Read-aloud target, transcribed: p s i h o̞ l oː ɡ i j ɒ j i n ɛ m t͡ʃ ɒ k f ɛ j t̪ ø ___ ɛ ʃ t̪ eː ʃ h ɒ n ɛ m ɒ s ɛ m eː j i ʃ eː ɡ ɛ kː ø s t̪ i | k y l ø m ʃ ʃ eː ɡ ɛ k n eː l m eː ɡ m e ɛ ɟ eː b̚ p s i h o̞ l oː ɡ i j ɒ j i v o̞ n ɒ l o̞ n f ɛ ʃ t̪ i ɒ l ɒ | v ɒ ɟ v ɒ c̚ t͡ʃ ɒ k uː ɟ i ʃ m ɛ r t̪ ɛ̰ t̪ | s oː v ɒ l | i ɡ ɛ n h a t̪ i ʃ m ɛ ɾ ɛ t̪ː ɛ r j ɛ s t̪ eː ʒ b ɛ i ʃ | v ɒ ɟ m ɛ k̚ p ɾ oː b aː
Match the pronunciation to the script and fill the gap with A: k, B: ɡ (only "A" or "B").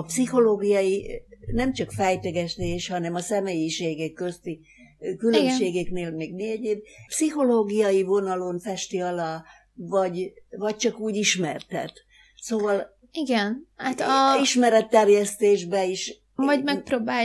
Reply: B